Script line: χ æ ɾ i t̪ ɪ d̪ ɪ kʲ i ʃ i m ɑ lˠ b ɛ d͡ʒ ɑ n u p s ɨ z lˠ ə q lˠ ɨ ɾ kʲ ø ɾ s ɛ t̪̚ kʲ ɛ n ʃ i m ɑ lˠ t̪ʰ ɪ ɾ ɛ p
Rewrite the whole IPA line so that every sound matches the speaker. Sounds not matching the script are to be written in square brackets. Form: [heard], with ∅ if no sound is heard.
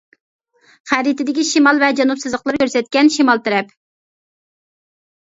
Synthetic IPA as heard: χ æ ɾ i t̪ ɪ d̪ ɪ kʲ i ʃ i m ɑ lˠ [v] ɛ d͡ʒ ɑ n u p s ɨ z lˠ ə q lˠ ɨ ɾ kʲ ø ɾ s ɛ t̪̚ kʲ ɛ n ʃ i m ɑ lˠ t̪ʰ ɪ ɾ ɛ p